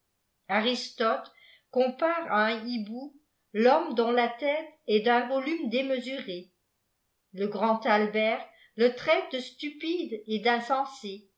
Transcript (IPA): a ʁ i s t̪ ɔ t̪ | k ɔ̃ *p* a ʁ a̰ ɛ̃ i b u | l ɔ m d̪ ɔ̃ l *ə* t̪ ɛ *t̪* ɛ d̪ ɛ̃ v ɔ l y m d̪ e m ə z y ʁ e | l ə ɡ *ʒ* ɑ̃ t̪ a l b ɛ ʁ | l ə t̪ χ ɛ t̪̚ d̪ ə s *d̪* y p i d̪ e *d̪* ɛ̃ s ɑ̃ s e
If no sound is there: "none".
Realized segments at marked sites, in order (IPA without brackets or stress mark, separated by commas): p, a, t̪, ʁ, t̪, d̪